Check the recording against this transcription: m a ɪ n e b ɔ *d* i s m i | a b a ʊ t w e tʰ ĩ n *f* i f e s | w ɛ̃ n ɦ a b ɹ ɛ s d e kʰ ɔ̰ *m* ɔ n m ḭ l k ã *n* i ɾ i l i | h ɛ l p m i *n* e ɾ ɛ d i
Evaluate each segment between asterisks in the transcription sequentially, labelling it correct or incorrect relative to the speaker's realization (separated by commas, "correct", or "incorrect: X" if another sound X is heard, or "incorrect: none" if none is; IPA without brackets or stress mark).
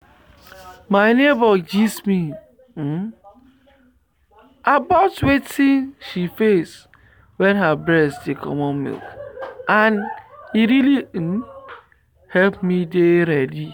incorrect: d͡ʒ, incorrect: ʃ, correct, correct, incorrect: d